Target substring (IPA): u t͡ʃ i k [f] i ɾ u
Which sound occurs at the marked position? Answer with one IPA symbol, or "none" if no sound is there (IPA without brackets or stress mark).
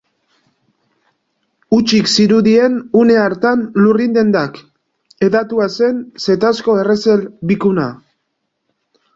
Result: s